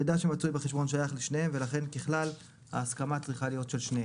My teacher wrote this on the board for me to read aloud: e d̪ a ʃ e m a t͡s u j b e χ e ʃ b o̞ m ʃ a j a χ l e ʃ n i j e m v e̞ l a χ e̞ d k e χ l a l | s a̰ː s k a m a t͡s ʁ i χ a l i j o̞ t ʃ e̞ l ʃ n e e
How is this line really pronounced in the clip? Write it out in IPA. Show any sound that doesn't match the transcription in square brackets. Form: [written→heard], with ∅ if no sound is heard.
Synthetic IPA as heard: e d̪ a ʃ e m a t͡s u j b e χ e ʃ b o̞ [m→n] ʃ a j a χ l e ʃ n [i→e] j e m v e̞ l a χ e̞ [d→n] k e χ l a l | [s→h] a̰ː s k a m a t͡s ʁ i χ a l i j o̞ t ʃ e̞ l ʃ n e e